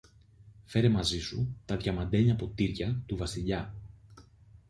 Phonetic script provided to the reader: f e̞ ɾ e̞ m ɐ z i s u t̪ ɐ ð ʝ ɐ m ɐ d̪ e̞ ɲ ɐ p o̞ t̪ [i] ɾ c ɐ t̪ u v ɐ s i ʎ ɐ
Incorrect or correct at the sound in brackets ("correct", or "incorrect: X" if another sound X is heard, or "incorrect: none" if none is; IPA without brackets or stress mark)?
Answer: correct